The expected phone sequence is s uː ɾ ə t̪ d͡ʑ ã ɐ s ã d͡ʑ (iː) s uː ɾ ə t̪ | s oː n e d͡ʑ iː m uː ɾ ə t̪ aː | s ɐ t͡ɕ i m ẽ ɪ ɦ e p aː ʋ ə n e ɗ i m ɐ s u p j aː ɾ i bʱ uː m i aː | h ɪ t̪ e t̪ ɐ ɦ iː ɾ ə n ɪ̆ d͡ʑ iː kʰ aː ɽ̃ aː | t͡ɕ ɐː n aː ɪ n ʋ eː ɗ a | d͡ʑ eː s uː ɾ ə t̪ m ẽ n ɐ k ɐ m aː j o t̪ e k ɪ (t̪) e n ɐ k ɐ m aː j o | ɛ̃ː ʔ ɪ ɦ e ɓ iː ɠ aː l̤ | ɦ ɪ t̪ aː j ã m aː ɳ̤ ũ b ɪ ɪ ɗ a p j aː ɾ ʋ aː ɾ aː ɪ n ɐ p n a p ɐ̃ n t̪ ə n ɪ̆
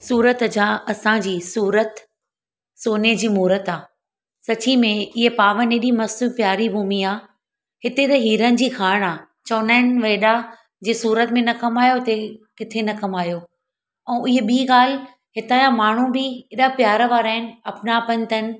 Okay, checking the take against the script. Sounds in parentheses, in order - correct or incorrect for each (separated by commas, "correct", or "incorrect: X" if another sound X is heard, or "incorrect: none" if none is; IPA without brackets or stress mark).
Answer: correct, incorrect: t̪ʰ